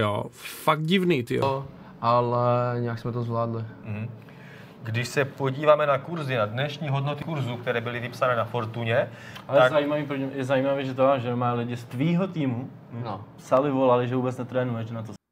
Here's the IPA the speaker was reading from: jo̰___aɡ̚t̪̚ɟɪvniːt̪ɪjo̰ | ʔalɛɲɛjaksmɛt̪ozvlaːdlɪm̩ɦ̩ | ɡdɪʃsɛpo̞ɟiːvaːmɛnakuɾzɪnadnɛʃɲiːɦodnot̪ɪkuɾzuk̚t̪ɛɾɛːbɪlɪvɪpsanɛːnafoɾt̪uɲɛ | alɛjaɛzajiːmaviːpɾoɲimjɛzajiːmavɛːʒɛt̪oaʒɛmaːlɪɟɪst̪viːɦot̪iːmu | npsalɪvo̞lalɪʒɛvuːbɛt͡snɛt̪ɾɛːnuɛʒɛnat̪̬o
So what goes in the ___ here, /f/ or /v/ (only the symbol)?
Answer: f